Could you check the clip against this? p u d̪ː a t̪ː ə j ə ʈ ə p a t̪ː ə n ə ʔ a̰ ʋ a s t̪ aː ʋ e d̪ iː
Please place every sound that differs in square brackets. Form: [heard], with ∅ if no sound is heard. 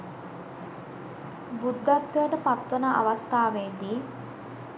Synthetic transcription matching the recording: [b] u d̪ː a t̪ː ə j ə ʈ ə p a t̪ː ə n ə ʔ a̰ ʋ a s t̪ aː ʋ e d̪ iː